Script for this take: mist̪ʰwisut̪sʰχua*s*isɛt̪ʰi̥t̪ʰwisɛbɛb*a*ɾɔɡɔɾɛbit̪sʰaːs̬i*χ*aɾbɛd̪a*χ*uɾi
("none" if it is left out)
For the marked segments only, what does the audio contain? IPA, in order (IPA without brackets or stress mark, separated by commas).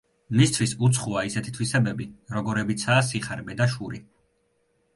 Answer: none, i, χ, ʃ